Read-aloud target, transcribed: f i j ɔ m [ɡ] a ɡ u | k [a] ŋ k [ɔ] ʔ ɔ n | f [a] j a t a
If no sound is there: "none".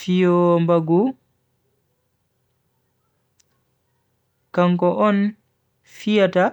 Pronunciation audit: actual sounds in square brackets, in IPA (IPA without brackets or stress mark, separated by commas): b, a, ɔ, i